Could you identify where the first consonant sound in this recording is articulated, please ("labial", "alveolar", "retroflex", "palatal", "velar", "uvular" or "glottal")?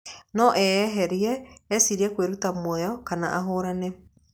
alveolar